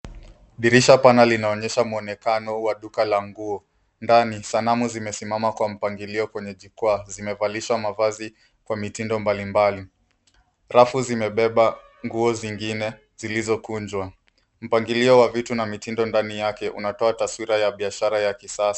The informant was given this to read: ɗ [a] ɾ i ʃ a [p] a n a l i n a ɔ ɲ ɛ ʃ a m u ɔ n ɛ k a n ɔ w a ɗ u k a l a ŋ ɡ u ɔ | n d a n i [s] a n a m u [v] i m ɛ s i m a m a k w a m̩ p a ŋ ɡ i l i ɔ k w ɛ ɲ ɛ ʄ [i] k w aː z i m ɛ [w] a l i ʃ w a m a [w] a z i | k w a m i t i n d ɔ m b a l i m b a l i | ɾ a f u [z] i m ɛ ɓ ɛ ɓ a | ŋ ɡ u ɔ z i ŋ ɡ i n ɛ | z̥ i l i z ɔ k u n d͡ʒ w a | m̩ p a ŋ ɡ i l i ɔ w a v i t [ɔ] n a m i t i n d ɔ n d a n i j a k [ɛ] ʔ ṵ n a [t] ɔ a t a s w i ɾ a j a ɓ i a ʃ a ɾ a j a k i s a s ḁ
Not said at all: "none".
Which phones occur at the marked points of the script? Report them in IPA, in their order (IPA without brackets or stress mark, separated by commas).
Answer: i, p, s, z, i, v, v, z, u, ɛ, t